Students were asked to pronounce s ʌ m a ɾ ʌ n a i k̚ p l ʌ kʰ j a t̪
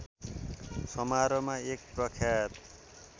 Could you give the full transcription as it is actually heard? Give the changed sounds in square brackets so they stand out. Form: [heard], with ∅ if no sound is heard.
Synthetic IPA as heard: s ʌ m a ɾ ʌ [m] a [e] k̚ p [r] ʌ kʰ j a t̪